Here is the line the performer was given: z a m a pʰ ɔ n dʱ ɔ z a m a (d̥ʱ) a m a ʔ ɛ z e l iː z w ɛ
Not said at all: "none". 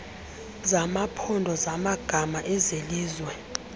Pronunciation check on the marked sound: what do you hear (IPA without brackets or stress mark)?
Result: ɡ̥ʱ